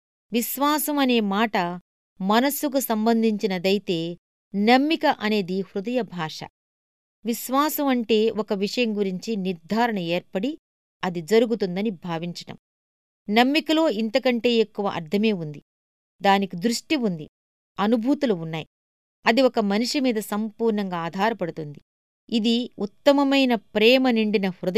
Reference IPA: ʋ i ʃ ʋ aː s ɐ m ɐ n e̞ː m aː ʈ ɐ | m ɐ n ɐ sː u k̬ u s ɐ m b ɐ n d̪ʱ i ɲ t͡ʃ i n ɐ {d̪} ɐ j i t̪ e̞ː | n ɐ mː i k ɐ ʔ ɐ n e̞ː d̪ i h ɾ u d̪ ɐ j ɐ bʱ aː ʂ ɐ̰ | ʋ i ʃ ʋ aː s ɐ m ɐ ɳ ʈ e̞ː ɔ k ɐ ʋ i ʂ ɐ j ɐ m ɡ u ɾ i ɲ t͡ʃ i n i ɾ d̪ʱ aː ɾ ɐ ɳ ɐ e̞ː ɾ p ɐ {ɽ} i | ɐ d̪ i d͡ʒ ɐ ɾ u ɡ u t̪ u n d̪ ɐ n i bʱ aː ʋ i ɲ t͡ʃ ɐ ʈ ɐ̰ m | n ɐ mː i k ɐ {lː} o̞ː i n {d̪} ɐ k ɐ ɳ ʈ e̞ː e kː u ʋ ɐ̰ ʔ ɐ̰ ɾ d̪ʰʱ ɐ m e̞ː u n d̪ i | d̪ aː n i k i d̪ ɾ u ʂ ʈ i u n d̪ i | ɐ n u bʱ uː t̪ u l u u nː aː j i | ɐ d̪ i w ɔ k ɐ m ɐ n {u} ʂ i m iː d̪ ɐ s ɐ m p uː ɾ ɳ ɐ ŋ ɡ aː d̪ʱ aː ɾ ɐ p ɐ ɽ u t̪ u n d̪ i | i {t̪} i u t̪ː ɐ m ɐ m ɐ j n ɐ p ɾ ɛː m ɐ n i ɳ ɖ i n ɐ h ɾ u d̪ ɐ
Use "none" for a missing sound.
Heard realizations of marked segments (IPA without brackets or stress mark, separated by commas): d̪, ɽ, l, t̪, u, d̪